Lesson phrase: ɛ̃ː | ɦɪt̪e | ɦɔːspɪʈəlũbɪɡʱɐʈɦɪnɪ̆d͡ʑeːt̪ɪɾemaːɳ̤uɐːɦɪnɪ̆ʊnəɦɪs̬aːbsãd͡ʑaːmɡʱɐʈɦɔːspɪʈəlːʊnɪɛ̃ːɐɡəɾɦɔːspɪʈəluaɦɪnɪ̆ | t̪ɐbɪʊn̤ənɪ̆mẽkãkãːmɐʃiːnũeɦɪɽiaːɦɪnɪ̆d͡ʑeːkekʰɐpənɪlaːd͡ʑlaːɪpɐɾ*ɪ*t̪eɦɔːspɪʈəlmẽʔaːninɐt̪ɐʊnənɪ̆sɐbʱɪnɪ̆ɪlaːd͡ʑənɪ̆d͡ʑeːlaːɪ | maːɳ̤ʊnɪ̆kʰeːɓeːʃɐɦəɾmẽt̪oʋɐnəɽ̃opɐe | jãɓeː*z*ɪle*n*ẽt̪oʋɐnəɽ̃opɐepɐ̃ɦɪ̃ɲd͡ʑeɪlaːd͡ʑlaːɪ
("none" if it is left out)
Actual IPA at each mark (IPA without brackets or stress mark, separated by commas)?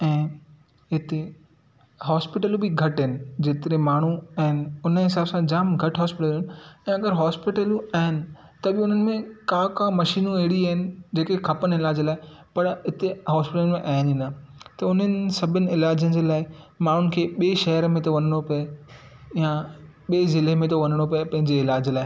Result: ɪ, z, m